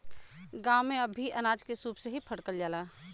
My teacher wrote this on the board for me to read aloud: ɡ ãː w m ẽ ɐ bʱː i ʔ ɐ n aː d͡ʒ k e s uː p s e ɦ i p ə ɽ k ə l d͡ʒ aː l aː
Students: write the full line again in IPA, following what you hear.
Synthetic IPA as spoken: ɡ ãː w m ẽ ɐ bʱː i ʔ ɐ n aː d͡ʒ k e s uː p s e ɦ i pʰ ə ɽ k ə l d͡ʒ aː l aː